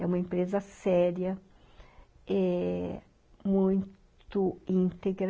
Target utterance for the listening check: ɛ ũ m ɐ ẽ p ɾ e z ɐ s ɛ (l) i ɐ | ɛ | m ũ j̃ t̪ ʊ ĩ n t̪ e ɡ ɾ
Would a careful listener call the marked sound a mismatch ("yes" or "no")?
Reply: yes